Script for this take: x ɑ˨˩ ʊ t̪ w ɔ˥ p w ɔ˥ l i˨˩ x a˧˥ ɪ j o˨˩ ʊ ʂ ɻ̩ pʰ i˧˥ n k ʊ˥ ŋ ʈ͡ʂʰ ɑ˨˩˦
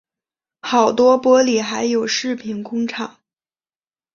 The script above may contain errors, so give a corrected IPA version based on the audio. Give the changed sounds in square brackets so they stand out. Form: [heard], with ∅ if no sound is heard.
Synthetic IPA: x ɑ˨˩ ʊ t̪ w ɔ˥ p w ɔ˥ l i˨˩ x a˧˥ ɪ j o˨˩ ʊ ʂ ɻ̩ pʰ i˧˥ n k ʊ˥ ŋ ʈ͡ʂʰ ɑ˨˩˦